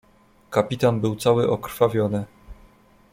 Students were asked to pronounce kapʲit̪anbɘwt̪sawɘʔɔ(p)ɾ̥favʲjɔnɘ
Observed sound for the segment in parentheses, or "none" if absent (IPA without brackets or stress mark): k